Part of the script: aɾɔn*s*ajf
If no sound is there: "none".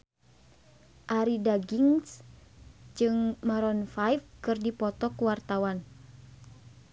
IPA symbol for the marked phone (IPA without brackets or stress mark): f